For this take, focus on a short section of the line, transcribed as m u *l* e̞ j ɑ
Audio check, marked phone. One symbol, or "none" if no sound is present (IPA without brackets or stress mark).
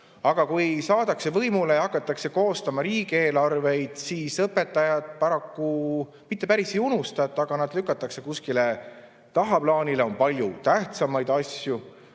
l